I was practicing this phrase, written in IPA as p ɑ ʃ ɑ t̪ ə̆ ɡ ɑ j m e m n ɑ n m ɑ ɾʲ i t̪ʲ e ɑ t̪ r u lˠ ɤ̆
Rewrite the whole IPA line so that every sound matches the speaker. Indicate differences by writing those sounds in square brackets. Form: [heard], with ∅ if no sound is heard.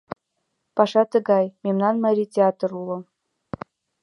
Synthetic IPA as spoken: p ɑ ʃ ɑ t̪ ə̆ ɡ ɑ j m e m n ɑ n m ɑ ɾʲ i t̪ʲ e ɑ t̪ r u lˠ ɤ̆